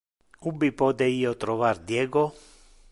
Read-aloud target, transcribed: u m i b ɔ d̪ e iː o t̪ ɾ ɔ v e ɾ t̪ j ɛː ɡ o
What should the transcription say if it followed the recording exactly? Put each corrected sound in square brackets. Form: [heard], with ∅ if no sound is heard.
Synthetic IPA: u [b] i [p] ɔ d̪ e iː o t̪ ɾ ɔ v [a] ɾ [d̪] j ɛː ɡ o